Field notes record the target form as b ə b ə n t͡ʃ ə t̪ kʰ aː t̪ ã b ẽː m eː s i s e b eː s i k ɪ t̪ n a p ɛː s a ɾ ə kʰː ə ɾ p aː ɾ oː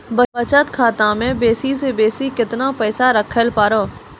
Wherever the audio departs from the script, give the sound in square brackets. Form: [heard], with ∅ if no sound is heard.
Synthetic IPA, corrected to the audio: b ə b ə [∅] t͡ʃ ə t̪ kʰ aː t̪ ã [m] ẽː [b] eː s i s e b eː s i k ɪ t̪ n a p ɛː s a ɾ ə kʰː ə [l] p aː ɾ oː